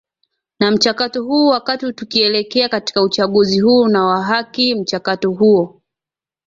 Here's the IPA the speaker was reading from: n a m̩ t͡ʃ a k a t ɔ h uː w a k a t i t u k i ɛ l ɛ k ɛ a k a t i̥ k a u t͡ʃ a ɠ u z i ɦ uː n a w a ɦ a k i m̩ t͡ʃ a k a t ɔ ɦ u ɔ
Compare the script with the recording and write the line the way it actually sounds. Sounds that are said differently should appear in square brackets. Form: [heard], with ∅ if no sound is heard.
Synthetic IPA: n a m̩ t͡ʃ a k a t ɔ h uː w a k a t i t u k i ɛ l ɛ k ɛ a k a t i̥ k a u t͡ʃ a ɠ u z i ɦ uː n a w a ɦ a k i m̩ t͡ʃ a k a t ɔ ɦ u ɔ